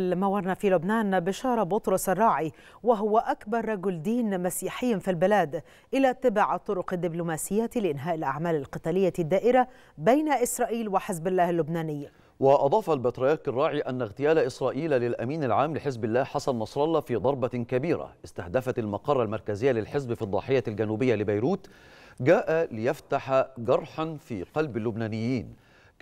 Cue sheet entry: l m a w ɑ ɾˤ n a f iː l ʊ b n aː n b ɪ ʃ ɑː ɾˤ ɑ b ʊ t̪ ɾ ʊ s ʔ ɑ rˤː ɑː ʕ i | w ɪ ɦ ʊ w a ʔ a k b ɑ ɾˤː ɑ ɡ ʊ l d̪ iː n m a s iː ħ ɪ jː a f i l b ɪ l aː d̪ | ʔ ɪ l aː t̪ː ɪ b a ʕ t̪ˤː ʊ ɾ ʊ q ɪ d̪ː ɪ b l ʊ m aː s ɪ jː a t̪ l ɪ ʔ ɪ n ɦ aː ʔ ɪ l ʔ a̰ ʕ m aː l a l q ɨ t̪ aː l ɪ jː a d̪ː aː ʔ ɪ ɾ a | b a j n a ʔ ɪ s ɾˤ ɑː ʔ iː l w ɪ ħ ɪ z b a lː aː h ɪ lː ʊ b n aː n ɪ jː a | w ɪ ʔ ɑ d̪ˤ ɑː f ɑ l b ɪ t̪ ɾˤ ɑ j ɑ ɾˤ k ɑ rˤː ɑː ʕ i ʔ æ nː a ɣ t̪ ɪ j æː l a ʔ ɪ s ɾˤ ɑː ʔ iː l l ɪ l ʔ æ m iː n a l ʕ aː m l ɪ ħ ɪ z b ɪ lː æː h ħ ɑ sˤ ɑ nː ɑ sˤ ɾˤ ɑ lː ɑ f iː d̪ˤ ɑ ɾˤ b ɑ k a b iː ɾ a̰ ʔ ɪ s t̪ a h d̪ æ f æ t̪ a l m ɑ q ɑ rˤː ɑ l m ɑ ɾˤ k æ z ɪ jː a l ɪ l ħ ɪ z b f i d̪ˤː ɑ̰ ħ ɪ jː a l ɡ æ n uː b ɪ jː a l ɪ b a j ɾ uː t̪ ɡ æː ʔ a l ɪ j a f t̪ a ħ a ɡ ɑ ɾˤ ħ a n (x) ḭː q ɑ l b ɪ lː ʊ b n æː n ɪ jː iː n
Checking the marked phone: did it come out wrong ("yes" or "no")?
yes